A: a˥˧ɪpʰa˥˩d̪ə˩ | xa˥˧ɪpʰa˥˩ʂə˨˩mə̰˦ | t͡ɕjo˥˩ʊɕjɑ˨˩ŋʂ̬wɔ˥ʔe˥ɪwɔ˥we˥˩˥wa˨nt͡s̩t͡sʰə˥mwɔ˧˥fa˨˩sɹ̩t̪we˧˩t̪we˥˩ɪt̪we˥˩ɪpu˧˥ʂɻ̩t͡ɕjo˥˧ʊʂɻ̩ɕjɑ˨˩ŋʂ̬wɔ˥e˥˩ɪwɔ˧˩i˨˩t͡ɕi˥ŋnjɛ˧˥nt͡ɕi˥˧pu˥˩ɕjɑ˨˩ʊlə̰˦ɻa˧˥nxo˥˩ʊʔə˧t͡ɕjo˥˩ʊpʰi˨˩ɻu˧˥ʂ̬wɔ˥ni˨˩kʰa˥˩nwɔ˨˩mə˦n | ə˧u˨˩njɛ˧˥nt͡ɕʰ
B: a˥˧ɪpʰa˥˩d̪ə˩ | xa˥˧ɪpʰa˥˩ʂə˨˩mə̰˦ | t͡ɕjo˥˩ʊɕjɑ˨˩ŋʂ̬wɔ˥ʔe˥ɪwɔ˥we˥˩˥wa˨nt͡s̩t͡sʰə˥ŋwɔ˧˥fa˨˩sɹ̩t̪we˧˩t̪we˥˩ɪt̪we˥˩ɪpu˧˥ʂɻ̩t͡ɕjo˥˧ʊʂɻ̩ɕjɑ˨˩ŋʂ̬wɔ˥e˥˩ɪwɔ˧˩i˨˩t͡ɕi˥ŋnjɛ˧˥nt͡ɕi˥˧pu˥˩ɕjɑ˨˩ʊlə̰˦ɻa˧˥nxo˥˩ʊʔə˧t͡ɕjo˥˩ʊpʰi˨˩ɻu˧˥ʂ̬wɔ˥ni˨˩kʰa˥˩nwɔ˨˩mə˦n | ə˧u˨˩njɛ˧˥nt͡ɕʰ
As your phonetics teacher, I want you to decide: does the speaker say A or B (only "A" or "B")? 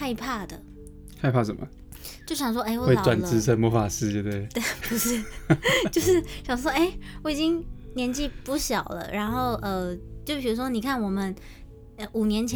A